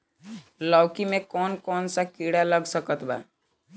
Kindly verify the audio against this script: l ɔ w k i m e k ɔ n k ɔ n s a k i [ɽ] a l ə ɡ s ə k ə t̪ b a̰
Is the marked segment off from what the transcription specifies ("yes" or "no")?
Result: no